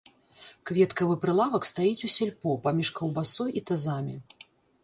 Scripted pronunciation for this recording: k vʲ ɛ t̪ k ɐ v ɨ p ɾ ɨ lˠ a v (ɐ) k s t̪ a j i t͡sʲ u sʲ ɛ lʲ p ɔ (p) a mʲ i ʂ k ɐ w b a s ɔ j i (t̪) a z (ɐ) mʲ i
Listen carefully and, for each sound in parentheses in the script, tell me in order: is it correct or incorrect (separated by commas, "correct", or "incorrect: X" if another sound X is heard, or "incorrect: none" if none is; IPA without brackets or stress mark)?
correct, correct, correct, incorrect: a